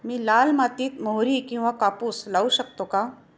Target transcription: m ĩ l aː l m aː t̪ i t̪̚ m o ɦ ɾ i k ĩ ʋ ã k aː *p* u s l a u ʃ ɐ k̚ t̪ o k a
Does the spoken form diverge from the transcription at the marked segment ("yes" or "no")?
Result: no